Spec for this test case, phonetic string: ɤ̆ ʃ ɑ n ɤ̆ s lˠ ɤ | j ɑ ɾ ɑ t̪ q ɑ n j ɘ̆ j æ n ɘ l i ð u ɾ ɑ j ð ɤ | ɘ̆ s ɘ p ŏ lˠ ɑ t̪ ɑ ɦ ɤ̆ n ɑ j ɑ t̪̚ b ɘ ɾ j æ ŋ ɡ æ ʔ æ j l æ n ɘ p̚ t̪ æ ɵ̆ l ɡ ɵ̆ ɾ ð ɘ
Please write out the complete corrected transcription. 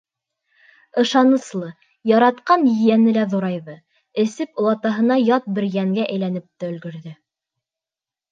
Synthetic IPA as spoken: ɤ̆ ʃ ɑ n ɤ̆ s lˠ ɤ | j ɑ ɾ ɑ t̪ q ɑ n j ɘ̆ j æ n ɘ l æ ð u ɾ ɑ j ð ɤ | ɘ̆ s ɘ p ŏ lˠ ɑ t̪ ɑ ɦ ɤ̆ n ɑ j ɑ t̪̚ b ɘ ɾ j æ ŋ ɡ æ ʔ æ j l æ n ɘ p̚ t̪ æ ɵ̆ l ɡ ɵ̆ ɾ ð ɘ